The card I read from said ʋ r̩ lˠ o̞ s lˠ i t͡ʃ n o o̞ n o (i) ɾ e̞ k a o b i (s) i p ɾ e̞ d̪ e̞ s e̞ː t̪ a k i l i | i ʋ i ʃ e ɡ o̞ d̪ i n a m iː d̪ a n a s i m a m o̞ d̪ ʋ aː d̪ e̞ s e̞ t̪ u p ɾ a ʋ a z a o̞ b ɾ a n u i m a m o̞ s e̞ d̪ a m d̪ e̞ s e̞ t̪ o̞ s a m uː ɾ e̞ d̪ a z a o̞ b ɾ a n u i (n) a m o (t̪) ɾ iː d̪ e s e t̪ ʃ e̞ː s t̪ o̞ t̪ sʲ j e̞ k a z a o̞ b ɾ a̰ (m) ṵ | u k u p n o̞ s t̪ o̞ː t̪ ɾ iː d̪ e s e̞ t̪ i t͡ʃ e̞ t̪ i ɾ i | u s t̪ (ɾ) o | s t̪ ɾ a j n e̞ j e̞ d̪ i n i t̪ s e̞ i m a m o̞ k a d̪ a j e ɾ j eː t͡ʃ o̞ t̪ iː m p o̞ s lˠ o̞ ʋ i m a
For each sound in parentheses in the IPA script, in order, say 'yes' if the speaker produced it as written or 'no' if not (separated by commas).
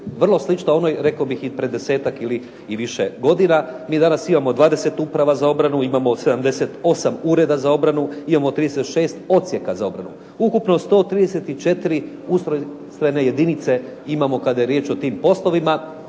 no, no, no, yes, no, yes